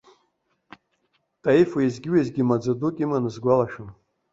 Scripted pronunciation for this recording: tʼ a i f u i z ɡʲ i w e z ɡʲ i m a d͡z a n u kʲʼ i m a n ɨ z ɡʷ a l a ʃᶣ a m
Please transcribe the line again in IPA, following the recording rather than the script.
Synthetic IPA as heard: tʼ a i f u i z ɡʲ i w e z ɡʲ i m a d͡z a d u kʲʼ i m a n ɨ z ɡʷ a l a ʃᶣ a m